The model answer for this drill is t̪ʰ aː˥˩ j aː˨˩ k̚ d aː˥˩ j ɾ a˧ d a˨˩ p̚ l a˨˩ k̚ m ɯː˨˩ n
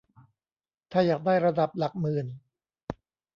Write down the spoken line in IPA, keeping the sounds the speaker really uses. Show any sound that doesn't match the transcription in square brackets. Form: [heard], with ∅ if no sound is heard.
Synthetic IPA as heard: t̪ʰ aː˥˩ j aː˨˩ k̚ d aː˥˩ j ɾ a˧ d a˨˩ p̚ l a˨˩ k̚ m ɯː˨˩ n